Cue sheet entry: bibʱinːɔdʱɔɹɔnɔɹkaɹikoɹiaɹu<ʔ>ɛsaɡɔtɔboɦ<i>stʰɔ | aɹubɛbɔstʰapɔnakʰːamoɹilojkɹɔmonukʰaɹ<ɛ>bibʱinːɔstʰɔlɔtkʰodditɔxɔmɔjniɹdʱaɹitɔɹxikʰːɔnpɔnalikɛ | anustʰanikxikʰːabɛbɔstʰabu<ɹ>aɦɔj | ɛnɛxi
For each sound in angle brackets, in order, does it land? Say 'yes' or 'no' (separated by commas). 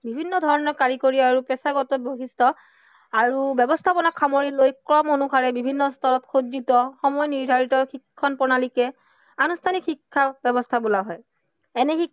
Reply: no, yes, yes, no